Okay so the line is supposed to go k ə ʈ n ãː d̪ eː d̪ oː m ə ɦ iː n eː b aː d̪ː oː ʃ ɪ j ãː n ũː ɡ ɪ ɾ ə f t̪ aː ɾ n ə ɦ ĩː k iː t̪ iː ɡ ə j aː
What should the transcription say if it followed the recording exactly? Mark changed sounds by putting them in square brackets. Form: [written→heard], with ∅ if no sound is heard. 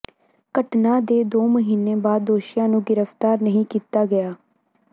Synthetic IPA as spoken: k ə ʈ n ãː d̪ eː d̪ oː m ə ɦ iː n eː b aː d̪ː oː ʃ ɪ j ãː n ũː ɡ ɪ ɾ ə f t̪ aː ɾ n ə ɦ ĩː k iː t̪ [iː→aː] ɡ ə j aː